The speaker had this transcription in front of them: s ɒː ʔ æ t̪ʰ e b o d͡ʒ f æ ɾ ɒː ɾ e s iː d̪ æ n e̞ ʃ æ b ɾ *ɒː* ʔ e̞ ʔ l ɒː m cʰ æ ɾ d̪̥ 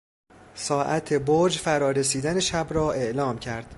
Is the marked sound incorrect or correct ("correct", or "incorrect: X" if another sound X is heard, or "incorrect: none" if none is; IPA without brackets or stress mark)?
correct